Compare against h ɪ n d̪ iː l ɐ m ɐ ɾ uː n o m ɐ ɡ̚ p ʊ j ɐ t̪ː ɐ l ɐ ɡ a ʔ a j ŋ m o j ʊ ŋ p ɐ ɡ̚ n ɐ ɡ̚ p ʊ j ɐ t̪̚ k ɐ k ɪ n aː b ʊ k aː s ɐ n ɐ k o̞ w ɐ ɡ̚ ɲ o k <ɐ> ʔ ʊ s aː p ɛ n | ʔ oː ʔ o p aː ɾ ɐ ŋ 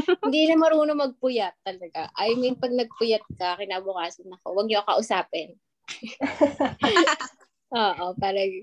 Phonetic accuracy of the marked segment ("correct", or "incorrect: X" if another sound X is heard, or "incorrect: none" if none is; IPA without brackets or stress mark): correct